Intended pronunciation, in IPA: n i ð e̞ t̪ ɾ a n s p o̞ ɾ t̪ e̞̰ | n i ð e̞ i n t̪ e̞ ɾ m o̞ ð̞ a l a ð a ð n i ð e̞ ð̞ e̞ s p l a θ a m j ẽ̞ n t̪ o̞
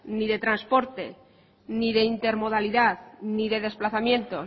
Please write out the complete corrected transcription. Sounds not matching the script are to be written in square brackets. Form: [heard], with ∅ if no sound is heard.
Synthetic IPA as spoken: n i ð e̞ t̪ ɾ a n s p o̞ ɾ t̪ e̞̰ | n i ð e̞ i n t̪ e̞ ɾ m o̞ ð̞ a l [i] ð a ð n i ð e̞ ð̞ e̞ s p l a θ a m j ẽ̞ n t̪ o̞

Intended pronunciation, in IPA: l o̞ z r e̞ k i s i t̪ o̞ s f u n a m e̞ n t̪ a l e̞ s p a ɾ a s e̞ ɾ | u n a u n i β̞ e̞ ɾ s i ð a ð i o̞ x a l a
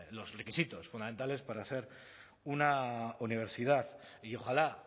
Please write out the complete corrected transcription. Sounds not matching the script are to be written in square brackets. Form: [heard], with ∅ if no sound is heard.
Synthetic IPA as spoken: l o̞ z r e̞ k i s i t̪ o̞ s f u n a m e̞ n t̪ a l e̞ s p a ɾ a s e̞ ɾ | u n a u n i β̞ e̞ ɾ s i ð a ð i o̞ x a l a

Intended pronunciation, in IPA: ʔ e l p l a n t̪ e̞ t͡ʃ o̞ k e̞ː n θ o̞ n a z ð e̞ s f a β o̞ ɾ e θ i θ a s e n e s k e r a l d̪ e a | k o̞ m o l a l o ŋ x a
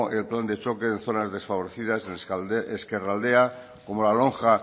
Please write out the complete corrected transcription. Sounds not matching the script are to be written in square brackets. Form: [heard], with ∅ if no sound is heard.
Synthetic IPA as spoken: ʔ e l p l a n [d̪] e̞ t͡ʃ o̞ k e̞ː n θ o̞ n a z ð e̞ s f a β o̞ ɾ e θ i [ð] a s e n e s k e r a l d̪ e a | k o̞ m o l a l o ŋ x a

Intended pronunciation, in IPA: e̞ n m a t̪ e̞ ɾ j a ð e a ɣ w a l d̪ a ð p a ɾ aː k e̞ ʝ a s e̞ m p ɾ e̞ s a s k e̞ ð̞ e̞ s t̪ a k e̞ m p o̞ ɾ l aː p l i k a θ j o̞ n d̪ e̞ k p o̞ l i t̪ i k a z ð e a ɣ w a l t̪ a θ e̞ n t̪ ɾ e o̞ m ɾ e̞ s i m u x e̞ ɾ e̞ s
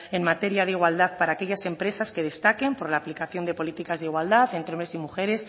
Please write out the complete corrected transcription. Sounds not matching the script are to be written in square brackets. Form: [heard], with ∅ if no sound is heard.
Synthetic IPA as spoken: e̞ n m a t̪ e̞ ɾ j a ð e [i] ɣ w a l d̪ a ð p a ɾ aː k e̞ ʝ a s e̞ m p ɾ e̞ s a s k e̞ ð̞ e̞ s t̪ a k e̞ m p o̞ ɾ l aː p l i k a θ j o̞ n d̪ e̞ [∅] p o̞ l i t̪ i k a z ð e [i] ɣ w a l [d̪] a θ e̞ n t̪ ɾ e o̞ m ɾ e̞ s i m u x e̞ ɾ e̞ s

